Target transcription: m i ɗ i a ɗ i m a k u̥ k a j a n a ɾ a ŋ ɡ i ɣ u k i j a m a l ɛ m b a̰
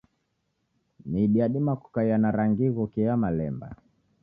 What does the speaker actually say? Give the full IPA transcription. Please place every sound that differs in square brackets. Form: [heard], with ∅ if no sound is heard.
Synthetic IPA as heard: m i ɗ i a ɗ i m a k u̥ k a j a n a ɾ a ŋ ɡ i ɣ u k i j a m a l ɛ m b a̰